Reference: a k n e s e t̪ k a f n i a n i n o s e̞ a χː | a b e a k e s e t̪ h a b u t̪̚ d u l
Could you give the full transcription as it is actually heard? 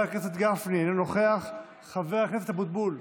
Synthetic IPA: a k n e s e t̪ ɡ a f n i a n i n o χ e̞ a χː | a v e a k e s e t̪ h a b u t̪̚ b u l